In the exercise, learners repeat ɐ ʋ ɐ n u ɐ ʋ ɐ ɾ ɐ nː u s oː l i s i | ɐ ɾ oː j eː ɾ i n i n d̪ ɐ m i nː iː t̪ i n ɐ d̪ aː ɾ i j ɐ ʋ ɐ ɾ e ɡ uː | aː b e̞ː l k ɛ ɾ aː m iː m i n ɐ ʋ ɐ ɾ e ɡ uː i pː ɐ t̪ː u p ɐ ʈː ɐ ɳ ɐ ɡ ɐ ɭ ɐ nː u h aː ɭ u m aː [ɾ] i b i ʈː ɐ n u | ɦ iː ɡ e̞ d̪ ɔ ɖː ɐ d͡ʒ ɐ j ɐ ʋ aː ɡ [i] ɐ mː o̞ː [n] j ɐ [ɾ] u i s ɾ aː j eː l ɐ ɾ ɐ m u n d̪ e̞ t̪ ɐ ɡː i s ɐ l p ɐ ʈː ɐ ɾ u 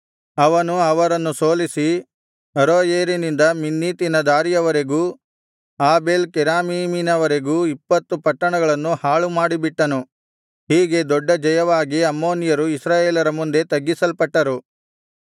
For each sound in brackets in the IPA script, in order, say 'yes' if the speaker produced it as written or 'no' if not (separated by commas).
no, yes, yes, yes